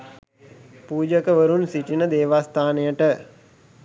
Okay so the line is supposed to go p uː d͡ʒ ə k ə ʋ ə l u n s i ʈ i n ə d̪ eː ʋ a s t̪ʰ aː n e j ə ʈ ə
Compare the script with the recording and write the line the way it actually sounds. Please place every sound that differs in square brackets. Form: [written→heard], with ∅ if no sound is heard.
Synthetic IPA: p uː d͡ʒ ə k ə ʋ ə [l→ɾ] u n s i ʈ i n ə d̪ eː ʋ a s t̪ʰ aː n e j ə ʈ ə